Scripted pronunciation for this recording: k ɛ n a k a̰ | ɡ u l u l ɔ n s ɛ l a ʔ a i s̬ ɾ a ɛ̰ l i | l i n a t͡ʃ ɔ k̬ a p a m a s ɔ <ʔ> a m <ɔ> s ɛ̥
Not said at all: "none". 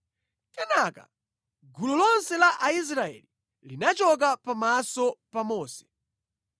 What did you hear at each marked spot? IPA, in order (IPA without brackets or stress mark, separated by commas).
p, ɔː